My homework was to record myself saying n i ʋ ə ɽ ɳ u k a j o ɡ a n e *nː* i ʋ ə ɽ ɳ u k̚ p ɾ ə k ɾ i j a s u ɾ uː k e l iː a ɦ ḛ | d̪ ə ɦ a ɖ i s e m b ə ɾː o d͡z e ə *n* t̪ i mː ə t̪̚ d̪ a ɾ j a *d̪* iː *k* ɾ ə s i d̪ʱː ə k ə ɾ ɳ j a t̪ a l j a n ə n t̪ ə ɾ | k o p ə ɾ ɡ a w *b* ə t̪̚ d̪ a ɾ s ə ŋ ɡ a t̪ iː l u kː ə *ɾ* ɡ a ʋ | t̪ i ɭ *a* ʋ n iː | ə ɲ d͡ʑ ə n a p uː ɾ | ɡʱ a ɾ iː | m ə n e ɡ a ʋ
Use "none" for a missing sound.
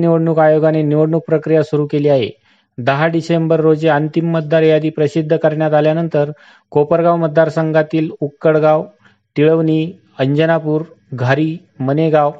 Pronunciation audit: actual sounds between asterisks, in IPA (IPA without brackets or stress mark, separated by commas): n, n, d̪, p, m, ɽ, ə